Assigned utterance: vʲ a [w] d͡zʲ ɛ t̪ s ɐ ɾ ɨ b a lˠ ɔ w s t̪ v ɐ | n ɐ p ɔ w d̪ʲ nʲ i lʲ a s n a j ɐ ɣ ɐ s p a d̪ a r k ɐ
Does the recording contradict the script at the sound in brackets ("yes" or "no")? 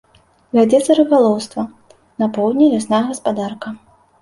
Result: yes